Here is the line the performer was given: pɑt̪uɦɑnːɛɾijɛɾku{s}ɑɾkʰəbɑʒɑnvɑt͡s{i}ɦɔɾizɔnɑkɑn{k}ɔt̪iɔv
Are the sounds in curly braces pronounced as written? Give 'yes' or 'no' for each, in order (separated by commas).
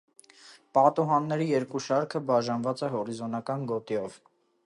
no, no, no